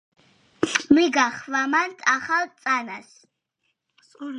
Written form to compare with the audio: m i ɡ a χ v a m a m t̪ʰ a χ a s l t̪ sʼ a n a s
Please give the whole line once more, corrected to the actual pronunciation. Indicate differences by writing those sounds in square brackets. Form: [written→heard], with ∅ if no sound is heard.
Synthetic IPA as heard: m i ɡ a χ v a m a [m→n] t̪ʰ a χ a [s→∅] l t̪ sʼ a n a s